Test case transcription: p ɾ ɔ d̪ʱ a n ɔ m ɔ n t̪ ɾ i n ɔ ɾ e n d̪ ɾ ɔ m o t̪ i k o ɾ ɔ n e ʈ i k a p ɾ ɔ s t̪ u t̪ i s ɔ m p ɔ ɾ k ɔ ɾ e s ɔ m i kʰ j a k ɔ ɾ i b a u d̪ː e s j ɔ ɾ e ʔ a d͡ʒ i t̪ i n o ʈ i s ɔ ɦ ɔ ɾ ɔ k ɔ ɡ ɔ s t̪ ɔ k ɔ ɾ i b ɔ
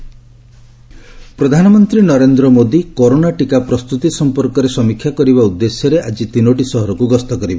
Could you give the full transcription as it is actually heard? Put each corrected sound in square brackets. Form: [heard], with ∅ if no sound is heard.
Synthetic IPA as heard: p ɾ ɔ d̪ʱ a n ɔ m ɔ n t̪ ɾ i n ɔ ɾ e n d̪ ɾ ɔ m o [d̪] i k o ɾ [o] n [a] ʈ i k a p ɾ ɔ s t̪ u t̪ i s ɔ m p ɔ ɾ k ɔ ɾ e s ɔ m i kʰ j a k ɔ ɾ i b a u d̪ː e s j ɔ ɾ e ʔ a d͡ʒ i t̪ i n o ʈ i s ɔ ɦ ɔ ɾ ɔ k [u] ɡ ɔ s t̪ ɔ k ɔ ɾ i b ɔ